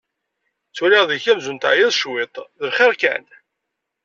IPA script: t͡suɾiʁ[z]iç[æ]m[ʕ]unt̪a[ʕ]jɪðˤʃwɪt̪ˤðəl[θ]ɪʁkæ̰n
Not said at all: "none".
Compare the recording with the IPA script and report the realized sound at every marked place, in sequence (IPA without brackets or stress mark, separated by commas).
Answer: ð, æ, z, ʕ, χ